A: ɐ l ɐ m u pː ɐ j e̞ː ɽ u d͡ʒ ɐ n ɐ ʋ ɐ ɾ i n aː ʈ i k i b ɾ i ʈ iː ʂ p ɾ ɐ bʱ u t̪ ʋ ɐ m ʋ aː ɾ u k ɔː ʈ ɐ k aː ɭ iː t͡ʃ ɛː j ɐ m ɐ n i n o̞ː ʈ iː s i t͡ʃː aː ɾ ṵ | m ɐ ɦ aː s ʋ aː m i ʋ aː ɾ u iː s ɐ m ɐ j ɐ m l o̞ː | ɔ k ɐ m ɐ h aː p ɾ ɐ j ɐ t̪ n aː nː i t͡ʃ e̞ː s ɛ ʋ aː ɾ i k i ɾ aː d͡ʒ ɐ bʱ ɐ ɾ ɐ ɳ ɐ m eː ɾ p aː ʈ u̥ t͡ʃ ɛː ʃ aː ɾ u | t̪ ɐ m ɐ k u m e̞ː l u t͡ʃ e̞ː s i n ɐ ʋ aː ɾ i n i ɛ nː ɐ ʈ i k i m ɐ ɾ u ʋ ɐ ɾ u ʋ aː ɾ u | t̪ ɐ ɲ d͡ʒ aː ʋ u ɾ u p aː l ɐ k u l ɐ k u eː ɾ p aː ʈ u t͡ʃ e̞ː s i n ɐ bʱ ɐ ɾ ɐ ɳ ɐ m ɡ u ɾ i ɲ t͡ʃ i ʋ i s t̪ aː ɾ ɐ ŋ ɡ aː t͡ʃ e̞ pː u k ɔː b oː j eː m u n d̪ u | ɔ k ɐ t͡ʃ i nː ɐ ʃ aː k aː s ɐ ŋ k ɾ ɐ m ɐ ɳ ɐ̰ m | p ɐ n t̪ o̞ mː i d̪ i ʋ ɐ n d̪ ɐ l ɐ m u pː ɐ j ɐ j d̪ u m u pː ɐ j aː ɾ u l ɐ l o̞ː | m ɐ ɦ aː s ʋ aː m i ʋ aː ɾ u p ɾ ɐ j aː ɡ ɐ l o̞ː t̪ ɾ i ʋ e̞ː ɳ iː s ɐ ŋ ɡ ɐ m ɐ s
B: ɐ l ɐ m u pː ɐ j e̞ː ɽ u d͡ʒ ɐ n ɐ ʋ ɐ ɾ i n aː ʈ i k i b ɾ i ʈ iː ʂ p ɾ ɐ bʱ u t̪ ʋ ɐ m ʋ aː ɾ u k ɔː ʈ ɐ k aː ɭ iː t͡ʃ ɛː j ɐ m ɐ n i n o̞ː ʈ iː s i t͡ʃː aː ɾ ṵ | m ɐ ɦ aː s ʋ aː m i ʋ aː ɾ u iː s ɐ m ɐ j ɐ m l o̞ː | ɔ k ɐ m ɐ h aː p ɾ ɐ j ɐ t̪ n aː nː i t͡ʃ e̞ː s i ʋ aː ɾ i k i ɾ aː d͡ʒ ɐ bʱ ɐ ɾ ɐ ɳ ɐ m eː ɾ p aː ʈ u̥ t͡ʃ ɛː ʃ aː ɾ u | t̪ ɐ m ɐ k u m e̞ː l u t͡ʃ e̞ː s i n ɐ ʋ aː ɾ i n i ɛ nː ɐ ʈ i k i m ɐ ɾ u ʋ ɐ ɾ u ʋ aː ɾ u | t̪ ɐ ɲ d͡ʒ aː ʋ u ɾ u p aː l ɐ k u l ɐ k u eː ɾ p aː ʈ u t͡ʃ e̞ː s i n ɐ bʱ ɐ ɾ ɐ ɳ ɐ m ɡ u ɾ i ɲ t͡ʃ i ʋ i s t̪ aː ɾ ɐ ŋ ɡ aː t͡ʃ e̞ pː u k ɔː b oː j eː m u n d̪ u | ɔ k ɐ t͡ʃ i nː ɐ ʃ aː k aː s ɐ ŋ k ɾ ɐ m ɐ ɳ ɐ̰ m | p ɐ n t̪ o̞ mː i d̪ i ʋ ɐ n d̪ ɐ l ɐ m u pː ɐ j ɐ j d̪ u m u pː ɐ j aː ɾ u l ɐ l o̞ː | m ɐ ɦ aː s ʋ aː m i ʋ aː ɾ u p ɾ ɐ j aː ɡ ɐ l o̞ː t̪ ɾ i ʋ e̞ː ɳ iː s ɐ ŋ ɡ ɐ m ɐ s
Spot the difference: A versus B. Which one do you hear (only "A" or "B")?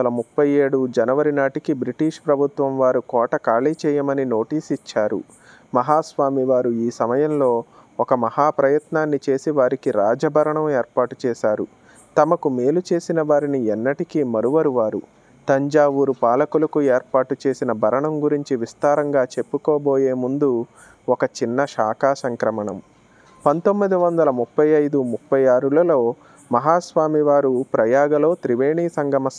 B